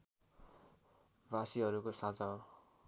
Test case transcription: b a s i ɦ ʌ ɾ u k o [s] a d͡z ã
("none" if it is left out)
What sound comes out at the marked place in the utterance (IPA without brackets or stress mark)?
s